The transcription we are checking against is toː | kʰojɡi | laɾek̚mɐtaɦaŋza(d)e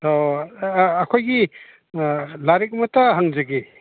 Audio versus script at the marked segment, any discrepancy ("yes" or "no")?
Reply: yes